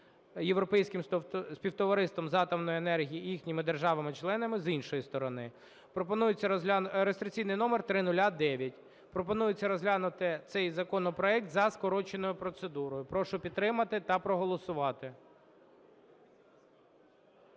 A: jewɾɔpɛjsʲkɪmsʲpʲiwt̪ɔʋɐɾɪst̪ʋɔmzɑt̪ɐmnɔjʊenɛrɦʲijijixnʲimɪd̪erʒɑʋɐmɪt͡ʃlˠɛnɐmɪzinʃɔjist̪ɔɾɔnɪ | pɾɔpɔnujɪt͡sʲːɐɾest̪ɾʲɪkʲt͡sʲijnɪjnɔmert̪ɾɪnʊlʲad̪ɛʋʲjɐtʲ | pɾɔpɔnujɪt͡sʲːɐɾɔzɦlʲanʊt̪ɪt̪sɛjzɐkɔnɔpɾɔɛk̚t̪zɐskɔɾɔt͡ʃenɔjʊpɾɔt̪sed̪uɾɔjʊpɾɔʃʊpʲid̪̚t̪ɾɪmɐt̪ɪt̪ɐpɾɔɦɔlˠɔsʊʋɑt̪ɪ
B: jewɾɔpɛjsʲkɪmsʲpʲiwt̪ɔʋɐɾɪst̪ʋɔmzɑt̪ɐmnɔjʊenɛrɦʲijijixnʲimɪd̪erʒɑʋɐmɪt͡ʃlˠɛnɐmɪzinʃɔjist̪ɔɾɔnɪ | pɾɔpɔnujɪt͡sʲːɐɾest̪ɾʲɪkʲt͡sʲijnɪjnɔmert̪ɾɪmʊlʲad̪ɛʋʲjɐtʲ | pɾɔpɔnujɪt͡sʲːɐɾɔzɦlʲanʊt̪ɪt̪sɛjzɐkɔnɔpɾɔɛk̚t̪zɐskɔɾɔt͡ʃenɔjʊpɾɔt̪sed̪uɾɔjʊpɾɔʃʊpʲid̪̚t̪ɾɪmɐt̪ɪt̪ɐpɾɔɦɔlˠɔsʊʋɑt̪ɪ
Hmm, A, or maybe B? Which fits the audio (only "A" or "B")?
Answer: A